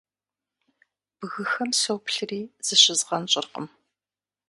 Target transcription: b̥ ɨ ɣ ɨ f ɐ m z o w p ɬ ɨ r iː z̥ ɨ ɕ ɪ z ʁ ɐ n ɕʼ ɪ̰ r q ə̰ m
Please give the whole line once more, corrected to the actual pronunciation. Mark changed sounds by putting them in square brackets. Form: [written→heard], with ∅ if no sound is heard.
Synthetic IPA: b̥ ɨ ɣ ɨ [f→x] ɐ m [z→s] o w p ɬ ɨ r iː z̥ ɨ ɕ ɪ z ʁ ɐ n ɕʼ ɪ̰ r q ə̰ m